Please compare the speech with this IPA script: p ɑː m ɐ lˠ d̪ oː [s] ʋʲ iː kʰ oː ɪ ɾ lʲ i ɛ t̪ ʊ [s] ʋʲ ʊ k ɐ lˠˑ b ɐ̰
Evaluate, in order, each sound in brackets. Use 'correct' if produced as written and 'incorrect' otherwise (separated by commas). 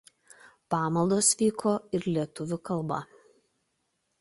correct, incorrect